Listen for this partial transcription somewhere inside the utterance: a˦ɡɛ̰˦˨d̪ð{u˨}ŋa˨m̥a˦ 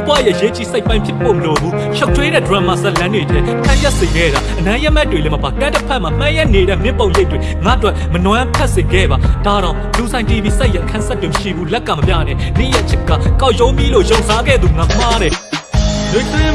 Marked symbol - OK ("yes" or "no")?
yes